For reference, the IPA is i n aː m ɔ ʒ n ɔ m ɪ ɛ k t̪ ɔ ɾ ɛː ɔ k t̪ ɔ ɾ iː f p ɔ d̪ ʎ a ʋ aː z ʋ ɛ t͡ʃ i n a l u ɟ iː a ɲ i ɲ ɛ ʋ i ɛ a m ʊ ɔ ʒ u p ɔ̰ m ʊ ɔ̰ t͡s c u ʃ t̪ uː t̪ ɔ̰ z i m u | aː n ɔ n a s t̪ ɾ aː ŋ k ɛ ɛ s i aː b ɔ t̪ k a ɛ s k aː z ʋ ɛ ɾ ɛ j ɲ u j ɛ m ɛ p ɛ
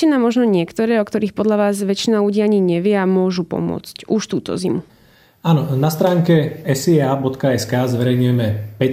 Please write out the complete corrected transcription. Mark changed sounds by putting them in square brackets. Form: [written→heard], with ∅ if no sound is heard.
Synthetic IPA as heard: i n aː m ɔ ʒ n ɔ [m→ɲ] ɪ ɛ k t̪ ɔ ɾ ɛː ɔ k t̪ ɔ ɾ iː [f→x] p ɔ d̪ ʎ a ʋ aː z ʋ ɛ t͡ʃ i n a l u ɟ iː a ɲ i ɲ ɛ ʋ [i→ɪ] ɛ a m ʊ ɔ ʒ u p ɔ̰ m ʊ ɔ̰ t͡s c u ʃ t̪ uː t̪ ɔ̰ z i m u | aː n ɔ n a s t̪ ɾ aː ŋ k ɛ ɛ s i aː b ɔ t̪ k a ɛ s k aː z ʋ ɛ ɾ ɛ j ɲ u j ɛ m ɛ p ɛ